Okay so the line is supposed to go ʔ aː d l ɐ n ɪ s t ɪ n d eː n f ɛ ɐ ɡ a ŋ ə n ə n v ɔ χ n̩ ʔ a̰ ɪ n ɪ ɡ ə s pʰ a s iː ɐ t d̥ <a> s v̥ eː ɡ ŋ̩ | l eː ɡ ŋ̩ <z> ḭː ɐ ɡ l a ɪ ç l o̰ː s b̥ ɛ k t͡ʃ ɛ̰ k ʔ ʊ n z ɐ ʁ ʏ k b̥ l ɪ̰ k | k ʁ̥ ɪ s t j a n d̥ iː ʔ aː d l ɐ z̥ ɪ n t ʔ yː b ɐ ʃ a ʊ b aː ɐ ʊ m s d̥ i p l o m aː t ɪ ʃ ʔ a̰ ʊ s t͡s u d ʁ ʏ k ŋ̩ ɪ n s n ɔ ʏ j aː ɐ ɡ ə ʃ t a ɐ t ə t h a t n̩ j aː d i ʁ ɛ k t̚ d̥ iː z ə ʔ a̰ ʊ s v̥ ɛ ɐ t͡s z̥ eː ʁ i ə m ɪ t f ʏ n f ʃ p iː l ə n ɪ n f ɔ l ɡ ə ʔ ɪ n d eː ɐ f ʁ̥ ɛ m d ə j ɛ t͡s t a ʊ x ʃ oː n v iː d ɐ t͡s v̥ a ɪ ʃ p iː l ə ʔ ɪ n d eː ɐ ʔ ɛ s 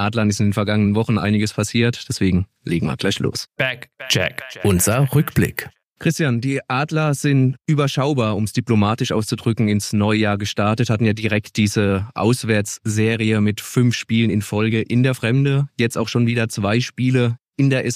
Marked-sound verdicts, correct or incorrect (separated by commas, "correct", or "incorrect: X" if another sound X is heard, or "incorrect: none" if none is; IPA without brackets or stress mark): incorrect: ɛ, incorrect: v